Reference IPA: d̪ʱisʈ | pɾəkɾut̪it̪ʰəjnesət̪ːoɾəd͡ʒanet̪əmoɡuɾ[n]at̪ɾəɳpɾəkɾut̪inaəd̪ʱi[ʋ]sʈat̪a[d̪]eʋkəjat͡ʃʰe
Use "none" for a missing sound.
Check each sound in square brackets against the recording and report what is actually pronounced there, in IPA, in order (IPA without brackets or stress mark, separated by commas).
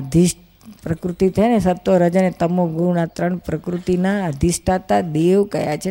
n, none, d̪